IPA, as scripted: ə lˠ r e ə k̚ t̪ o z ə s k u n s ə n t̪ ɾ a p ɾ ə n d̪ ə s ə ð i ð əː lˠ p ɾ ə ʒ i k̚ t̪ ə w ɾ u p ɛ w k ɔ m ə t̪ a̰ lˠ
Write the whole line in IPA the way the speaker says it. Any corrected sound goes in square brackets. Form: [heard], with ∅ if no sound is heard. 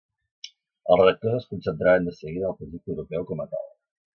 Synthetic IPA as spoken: ə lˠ r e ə k̚ t̪ o z ə s k u n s ə n t̪ ɾ a [∅] ɾ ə n d̪ ə s ə [ɣ] i ð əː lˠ p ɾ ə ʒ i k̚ t̪ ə w ɾ u p ɛ w k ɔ m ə t̪ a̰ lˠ